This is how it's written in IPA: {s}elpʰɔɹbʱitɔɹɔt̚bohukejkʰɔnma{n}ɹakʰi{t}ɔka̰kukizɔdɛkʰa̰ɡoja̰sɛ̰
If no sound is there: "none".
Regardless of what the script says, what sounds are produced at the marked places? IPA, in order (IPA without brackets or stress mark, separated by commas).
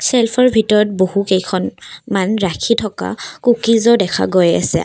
s, n, tʰ